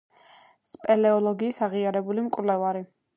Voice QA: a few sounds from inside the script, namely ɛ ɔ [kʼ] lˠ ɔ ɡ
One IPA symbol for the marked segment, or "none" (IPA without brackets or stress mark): none